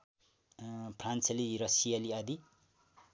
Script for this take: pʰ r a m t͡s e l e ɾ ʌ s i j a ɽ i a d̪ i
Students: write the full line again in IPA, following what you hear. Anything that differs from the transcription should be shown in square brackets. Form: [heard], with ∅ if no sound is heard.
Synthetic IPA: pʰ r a [n] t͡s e l [i] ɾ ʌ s i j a [l] i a d̪ i